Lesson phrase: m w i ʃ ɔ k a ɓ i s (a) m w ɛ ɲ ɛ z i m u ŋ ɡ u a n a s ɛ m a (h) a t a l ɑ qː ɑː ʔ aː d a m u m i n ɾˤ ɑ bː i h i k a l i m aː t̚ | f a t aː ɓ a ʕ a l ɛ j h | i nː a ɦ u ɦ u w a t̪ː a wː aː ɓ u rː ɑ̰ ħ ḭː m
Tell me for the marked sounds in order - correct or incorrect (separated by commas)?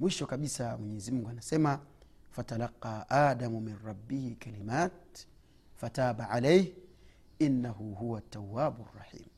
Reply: correct, incorrect